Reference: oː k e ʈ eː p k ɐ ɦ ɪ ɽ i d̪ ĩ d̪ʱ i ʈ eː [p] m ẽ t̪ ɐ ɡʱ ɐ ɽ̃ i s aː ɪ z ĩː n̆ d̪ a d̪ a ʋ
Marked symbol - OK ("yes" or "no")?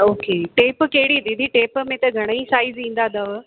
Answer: yes